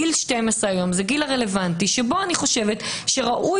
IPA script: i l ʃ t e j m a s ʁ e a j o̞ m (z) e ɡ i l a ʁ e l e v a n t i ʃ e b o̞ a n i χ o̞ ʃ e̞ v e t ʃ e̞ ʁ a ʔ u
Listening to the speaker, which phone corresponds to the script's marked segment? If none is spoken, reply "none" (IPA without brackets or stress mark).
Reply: z